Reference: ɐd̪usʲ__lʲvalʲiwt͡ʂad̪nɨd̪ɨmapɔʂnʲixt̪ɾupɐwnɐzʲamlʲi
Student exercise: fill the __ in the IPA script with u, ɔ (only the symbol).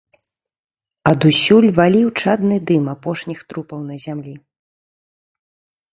u